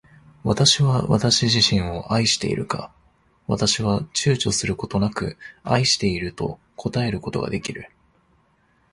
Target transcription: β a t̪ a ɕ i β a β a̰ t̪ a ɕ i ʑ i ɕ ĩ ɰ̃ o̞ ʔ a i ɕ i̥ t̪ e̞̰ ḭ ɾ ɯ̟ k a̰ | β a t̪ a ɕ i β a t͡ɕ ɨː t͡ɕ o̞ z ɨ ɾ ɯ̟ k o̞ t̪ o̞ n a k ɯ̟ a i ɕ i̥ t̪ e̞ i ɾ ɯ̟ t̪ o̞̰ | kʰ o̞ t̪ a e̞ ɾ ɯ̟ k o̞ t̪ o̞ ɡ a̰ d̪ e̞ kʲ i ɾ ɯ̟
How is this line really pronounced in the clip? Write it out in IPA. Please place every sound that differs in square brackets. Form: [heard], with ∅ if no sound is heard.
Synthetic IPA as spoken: β a t̪ a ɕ i β a β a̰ t̪ a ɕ i ʑ i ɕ ĩ ɰ̃ o̞ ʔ a i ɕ i̥ t̪ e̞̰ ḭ ɾ ɯ̟ k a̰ | β a t̪ a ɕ i β a t͡ɕ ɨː t͡ɕ o̞ [s] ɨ ɾ ɯ̟ k o̞ t̪ o̞ n a k ɯ̟ a i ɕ i̥ t̪ e̞ i ɾ ɯ̟ t̪ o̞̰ | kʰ o̞ t̪ a e̞ ɾ ɯ̟ k o̞ t̪ o̞ ɡ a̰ d̪ e̞ kʲ i ɾ ɯ̟